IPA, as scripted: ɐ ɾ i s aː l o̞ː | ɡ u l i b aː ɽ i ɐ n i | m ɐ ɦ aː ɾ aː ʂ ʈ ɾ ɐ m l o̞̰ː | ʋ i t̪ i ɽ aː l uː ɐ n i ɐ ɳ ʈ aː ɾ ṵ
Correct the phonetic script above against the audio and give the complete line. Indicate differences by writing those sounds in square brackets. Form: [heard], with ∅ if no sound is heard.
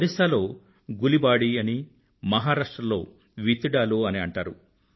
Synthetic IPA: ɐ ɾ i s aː l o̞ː | ɡ u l i b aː ɽ i ɐ n i | m ɐ ɦ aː ɾ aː ʂ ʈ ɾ ɐ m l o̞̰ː | ʋ i t̪ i ɽ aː l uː ɐ n i ɐ ɳ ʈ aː ɾ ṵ